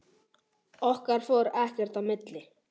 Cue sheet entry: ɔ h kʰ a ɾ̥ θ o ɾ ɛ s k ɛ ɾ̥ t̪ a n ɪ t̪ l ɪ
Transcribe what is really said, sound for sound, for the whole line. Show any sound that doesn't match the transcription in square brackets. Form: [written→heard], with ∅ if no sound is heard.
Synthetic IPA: ɔ h [kʰ→k] a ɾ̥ [θ→f] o ɾ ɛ [s→h] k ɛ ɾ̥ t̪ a [n→m] ɪ t̪ l ɪ